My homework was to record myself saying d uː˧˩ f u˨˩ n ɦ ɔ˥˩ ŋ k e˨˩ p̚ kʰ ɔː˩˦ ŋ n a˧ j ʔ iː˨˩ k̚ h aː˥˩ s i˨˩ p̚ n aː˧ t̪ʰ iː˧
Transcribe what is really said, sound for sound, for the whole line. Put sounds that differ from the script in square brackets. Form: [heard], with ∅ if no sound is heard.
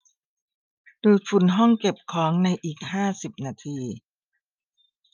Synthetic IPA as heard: d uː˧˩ f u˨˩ n ɦ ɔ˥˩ ŋ k e˨˩ p̚ kʰ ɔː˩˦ ŋ n a˧ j ʔ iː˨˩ k̚ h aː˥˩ s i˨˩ p̚ n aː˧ t̪ʰ iː˧